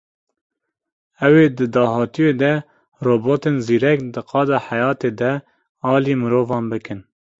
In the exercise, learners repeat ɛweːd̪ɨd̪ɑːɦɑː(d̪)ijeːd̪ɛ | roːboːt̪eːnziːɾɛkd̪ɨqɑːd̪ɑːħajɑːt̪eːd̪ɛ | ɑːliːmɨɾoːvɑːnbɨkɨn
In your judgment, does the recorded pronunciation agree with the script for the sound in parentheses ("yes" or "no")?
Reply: no